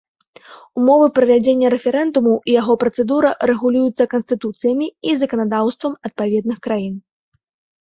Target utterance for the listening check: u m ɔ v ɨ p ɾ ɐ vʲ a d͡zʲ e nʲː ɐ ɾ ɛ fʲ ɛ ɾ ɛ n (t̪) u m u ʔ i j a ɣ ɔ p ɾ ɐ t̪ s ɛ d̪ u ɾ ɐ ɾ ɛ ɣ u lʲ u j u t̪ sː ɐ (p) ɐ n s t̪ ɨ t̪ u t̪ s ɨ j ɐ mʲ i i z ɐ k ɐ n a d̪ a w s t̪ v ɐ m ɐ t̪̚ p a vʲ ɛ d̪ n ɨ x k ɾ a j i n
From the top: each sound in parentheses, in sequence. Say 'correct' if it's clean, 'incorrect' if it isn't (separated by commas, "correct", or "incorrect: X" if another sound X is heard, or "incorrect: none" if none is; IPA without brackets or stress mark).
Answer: incorrect: d̪, incorrect: k